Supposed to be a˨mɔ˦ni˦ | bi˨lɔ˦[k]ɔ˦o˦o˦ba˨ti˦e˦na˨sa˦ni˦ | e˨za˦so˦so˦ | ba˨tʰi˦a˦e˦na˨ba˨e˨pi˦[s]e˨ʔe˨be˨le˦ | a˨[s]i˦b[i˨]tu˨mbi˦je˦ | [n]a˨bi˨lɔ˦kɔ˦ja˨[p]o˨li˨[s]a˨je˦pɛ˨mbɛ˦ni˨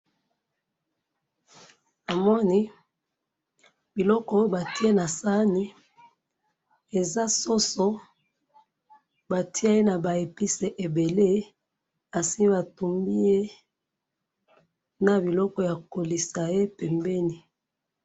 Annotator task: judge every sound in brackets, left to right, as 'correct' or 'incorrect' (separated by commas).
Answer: correct, correct, correct, incorrect, correct, incorrect, correct